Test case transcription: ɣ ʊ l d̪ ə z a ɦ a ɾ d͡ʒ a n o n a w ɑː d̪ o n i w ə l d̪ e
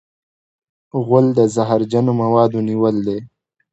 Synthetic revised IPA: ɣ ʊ l d̪ ə z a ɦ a ɾ d͡ʒ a n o m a w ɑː d̪ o n i w ə l d̪ e